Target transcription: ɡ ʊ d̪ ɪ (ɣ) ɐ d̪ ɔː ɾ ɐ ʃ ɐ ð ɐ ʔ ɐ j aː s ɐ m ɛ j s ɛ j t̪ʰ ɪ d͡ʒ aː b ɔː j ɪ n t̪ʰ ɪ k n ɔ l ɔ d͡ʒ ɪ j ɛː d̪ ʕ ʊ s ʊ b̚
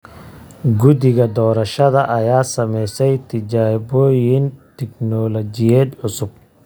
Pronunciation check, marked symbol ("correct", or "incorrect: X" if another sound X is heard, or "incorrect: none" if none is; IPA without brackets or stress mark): correct